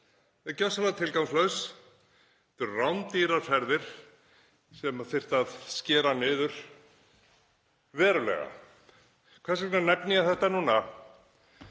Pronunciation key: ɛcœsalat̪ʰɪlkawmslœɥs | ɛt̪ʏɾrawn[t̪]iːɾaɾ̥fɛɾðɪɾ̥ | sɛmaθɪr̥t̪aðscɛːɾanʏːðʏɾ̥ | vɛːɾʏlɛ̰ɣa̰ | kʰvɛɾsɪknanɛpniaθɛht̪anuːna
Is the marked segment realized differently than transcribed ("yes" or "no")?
no